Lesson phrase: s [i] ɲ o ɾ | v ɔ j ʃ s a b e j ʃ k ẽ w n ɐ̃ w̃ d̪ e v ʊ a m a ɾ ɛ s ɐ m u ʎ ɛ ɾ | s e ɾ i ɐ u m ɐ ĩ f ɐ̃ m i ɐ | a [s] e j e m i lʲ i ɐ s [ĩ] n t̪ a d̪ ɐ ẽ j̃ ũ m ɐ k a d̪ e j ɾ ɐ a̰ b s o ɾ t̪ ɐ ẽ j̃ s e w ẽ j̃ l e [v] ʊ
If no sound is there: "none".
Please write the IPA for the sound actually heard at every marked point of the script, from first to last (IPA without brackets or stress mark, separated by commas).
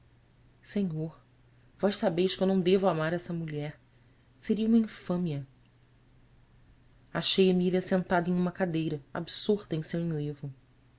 e, ʃ, ẽ, v